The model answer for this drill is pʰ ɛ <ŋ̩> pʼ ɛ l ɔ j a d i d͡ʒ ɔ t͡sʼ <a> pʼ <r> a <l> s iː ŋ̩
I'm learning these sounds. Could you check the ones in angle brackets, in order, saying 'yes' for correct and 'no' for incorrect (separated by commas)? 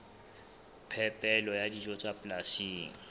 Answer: no, yes, no, no